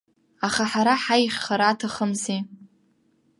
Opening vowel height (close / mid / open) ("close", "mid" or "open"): open